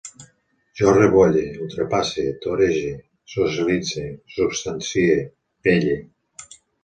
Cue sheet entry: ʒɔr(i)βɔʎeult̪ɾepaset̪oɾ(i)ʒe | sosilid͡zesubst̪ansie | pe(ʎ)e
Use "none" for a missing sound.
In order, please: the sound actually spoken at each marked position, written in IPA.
e, e, ʎ

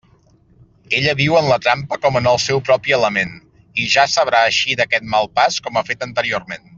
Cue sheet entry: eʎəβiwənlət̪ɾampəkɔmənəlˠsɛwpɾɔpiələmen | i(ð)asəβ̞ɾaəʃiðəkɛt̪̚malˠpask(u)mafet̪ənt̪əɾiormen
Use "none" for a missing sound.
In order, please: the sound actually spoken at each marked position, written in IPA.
ʒ, ɔ

